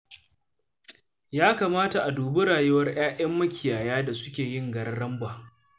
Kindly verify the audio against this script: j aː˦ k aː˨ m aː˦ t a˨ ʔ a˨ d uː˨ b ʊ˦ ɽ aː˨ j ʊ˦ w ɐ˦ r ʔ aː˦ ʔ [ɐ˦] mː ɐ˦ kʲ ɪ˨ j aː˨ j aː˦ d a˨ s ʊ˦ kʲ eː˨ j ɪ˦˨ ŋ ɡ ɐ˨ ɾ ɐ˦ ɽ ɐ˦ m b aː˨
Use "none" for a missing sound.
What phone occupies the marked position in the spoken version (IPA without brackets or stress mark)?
ɐ˦